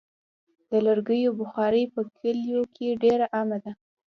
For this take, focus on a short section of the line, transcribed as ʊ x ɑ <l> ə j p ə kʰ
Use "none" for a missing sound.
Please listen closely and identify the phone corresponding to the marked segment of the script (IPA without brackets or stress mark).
ɾ